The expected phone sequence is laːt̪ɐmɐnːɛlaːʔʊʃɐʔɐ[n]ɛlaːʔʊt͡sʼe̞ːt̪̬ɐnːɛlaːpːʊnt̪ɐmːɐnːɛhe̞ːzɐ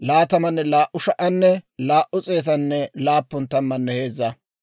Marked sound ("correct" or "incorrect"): incorrect